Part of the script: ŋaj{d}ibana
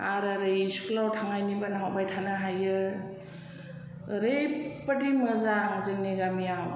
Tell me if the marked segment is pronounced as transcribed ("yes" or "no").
no